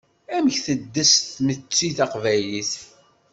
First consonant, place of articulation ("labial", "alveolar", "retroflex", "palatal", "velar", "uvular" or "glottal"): labial